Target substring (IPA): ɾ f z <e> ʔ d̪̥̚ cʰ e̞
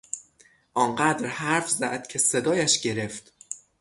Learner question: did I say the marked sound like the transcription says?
no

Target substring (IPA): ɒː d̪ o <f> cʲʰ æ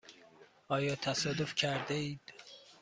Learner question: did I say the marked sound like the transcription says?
yes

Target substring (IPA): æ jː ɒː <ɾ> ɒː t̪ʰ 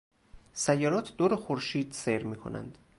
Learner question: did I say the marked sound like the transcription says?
yes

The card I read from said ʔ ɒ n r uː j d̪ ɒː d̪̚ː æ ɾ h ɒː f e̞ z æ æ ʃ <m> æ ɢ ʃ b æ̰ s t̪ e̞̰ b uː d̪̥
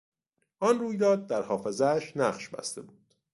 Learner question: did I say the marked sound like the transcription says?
no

